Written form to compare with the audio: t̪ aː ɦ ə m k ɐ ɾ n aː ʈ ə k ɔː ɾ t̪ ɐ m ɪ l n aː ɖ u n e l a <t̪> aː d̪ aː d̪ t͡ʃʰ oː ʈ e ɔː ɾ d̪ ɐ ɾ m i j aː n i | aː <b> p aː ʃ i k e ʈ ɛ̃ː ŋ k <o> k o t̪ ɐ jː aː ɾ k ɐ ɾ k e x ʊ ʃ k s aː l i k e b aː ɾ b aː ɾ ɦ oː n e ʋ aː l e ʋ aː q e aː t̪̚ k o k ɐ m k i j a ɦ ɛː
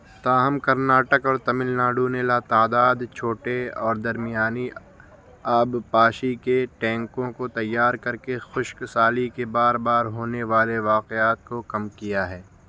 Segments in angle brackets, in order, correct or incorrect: correct, correct, incorrect

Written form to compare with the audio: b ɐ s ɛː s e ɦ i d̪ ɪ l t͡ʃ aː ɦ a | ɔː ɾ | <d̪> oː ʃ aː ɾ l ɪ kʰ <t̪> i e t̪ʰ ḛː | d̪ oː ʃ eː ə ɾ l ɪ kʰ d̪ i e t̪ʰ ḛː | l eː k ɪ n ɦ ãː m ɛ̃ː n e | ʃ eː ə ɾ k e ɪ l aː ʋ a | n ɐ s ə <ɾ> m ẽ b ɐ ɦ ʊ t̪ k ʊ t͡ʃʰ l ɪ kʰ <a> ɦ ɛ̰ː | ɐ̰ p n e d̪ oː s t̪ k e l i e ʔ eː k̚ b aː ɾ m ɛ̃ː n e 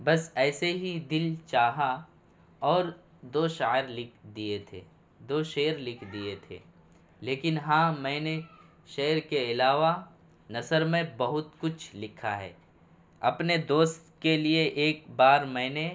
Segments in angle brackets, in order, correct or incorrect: correct, incorrect, correct, correct

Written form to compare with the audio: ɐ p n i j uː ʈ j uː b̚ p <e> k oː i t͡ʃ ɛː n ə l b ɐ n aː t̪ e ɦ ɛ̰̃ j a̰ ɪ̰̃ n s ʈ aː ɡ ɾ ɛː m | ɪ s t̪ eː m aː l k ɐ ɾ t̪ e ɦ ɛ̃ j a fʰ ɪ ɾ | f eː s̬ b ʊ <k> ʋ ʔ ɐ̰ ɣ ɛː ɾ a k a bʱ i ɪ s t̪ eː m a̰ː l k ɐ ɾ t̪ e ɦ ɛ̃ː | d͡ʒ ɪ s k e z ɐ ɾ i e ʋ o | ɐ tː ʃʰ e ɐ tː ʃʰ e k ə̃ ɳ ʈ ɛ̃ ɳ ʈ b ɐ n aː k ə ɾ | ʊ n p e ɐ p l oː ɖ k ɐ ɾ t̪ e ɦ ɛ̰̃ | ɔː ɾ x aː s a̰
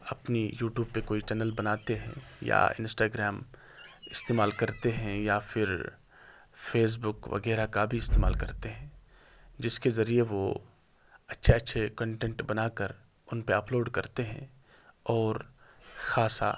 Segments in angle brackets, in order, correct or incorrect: correct, correct

